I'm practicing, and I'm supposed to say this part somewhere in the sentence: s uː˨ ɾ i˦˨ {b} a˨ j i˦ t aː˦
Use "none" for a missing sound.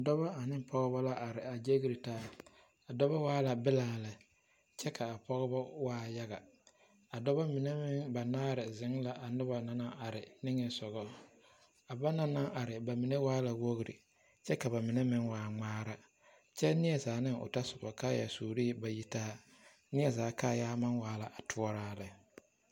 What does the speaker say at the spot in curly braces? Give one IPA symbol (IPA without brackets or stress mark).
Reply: b